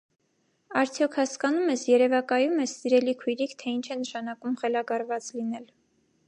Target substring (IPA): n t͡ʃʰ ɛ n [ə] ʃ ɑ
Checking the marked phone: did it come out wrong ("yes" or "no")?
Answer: no